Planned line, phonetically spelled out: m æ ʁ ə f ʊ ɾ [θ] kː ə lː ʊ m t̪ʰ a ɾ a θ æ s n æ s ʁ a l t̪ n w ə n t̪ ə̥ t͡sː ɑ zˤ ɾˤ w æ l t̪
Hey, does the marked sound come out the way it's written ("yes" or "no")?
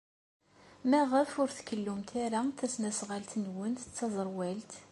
yes